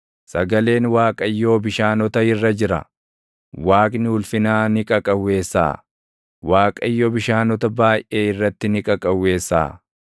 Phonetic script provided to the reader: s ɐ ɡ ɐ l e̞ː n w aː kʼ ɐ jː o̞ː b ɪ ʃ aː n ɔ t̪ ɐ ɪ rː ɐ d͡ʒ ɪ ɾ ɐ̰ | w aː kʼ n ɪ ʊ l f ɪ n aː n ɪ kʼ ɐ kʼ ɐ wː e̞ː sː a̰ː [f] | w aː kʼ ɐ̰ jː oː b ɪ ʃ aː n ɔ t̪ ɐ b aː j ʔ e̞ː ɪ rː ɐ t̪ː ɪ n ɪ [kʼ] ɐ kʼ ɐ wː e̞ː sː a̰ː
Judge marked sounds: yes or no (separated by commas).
no, yes